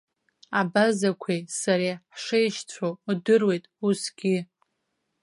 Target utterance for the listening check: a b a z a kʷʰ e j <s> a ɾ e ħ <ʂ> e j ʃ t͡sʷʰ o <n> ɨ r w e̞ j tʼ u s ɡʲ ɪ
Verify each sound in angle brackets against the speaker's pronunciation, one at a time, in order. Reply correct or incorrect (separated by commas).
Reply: correct, correct, incorrect